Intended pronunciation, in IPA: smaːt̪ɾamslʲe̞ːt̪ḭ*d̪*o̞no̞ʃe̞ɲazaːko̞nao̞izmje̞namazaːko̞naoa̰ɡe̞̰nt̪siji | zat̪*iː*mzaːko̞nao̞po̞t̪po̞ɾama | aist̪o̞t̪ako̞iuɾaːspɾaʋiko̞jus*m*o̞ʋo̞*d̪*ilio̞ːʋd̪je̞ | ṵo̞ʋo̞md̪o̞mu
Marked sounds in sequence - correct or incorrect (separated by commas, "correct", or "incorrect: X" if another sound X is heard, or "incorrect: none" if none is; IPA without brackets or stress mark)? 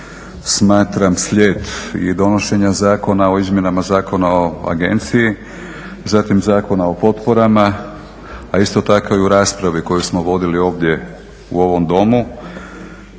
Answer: correct, incorrect: i, correct, correct